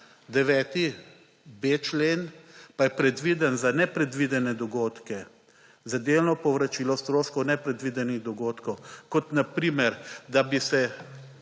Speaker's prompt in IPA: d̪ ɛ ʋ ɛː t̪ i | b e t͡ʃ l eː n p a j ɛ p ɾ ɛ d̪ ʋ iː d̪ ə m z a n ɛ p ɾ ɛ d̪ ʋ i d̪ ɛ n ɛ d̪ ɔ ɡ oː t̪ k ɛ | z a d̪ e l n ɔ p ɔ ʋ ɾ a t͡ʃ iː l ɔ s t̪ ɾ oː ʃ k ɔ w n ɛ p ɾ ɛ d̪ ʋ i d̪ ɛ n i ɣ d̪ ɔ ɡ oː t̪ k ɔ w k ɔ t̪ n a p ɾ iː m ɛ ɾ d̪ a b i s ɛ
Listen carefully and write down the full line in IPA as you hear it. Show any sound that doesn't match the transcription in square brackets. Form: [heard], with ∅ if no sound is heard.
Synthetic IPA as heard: d̪ ɛ ʋ ɛː t̪ i | b e t͡ʃ l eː n p a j ɛ p ɾ ɛ d̪ ʋ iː d̪ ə [n] z a n ɛ p ɾ ɛ d̪ ʋ i d̪ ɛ n ɛ d̪ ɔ ɡ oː t̪ k ɛ | z a d̪ e l n ɔ p ɔ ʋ ɾ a t͡ʃ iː l ɔ s t̪ ɾ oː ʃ k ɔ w n ɛ p ɾ ɛ d̪ ʋ i d̪ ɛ n i ɣ d̪ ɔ ɡ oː t̪ k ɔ w k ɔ t̪ n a p ɾ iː m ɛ ɾ d̪ a b i s ɛ